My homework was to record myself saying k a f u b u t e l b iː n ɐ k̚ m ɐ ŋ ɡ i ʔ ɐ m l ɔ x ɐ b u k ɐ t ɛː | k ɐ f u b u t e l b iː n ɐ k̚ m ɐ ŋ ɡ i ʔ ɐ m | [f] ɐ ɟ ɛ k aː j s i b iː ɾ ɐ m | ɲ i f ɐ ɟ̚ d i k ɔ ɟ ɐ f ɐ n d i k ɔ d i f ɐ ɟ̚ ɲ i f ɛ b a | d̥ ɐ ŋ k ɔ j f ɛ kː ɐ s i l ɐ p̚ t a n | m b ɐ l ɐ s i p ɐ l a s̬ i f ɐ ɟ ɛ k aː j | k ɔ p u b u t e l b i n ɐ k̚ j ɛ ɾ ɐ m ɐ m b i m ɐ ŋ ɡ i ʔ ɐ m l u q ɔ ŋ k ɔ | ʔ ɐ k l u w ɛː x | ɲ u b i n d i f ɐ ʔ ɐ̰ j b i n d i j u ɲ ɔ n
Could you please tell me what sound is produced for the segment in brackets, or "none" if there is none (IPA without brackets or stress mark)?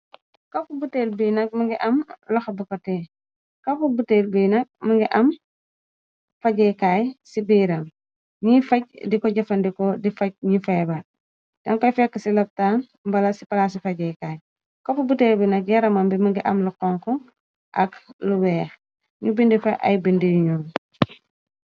f